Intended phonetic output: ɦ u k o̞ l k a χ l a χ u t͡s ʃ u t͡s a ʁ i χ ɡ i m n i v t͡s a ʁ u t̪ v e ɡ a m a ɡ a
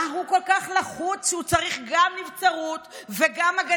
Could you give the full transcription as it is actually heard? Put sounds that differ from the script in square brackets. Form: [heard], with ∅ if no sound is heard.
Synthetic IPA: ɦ u k o̞ l k a χ l a χ u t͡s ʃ u t͡s a ʁ i χ ɡ [a] m n i v t͡s a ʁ u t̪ v e ɡ a m a ɡ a